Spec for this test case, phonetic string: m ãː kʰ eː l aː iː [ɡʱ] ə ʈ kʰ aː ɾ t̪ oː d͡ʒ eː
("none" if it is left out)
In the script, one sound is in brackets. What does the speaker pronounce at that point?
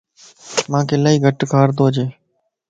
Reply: ɡʱ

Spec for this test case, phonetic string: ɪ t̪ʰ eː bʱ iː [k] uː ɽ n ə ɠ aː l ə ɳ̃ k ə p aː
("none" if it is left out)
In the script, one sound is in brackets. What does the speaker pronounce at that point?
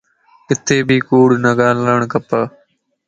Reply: k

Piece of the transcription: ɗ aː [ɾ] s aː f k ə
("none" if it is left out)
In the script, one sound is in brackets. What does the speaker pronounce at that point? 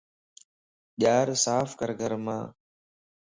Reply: ɾ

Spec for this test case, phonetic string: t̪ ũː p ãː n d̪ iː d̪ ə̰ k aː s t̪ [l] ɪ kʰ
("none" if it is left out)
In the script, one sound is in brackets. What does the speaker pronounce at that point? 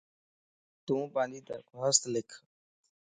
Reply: l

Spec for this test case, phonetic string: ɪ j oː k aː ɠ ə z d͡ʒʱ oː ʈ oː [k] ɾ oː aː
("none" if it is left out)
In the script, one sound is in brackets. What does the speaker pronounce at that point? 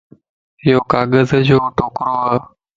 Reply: k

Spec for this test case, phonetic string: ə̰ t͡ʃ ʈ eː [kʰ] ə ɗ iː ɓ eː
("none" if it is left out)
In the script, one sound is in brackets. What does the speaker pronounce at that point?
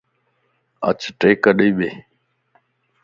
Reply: k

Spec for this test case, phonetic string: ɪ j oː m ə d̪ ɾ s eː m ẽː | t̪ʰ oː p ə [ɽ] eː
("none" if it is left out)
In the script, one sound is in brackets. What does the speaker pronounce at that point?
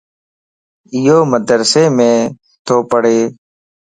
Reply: ɽ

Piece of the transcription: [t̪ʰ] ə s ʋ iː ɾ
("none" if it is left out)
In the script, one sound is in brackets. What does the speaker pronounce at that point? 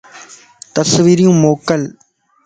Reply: t̪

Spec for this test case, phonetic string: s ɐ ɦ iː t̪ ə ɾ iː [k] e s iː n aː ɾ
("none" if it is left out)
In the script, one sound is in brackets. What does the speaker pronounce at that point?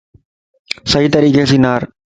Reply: k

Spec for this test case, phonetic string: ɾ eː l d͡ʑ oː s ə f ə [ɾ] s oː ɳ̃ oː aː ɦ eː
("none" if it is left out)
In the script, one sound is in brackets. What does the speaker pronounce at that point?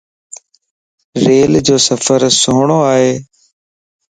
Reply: ɾ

